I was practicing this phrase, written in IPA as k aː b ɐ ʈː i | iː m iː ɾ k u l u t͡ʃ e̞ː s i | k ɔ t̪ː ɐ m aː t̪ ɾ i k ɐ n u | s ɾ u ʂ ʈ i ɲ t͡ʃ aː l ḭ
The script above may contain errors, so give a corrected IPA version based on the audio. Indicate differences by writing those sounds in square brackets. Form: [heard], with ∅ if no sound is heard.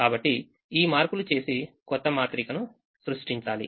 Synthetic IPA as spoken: k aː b ɐ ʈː i | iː m [aː] ɾ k u l u t͡ʃ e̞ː s i | k ɔ t̪ː ɐ m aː t̪ ɾ i k ɐ n u | s ɾ u ʂ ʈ i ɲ t͡ʃ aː l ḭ